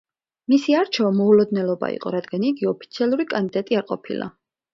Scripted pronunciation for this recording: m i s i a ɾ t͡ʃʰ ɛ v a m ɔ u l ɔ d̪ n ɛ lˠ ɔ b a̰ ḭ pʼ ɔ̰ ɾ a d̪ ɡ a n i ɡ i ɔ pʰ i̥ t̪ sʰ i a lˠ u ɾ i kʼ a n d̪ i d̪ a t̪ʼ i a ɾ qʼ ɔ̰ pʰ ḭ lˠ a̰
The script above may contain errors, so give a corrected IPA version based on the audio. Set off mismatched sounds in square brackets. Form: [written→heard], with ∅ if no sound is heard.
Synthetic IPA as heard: m i s i a ɾ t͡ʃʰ ɛ v a m ɔ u l ɔ d̪ n ɛ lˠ ɔ b a̰ ḭ [pʼ→qʼ] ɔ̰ ɾ a d̪ ɡ a n i ɡ i ɔ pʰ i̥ t̪ sʰ i a lˠ u ɾ i kʼ a n d̪ i d̪ a t̪ʼ i a ɾ qʼ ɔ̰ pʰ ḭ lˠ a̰